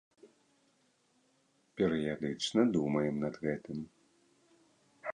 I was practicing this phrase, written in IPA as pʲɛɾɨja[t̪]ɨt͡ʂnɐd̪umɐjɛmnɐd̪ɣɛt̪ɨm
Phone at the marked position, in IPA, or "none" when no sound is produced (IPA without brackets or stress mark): d̪